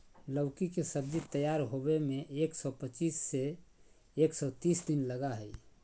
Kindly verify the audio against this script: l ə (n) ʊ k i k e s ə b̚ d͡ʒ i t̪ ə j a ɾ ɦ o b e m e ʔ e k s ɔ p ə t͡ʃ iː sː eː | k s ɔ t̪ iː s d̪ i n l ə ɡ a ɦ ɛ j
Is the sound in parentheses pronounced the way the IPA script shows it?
no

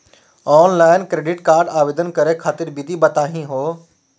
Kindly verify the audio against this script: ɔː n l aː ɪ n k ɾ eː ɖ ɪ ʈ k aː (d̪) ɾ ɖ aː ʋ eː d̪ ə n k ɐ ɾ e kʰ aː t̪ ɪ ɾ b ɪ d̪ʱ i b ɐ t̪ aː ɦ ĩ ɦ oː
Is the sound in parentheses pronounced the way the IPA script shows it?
no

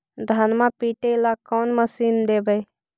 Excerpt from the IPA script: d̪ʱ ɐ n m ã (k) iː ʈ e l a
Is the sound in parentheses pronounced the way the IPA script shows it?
no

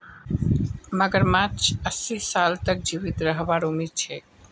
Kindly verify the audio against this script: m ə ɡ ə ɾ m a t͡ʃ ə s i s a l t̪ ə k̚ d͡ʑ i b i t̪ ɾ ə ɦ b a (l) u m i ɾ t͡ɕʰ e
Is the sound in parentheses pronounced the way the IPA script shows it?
no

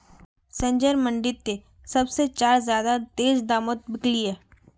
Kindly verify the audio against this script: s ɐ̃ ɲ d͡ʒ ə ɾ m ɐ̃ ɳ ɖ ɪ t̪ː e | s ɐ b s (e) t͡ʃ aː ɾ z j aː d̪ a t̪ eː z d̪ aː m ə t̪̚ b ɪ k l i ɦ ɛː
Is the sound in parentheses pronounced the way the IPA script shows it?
yes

